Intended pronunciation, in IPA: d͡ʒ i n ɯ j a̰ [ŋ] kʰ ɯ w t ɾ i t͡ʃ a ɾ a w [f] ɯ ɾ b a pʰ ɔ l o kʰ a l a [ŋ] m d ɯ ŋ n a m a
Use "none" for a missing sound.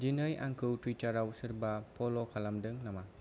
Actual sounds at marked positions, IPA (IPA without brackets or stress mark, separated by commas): ŋ, s, none